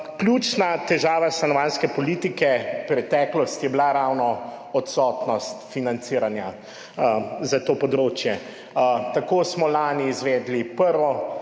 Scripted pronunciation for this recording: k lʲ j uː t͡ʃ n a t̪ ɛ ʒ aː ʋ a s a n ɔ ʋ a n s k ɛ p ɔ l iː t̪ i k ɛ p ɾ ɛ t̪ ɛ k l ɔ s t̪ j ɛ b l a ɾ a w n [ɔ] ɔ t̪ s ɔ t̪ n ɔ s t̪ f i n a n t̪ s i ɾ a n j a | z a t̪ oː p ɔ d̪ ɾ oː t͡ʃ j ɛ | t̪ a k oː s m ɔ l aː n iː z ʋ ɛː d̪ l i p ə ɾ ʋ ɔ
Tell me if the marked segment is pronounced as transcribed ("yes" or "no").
yes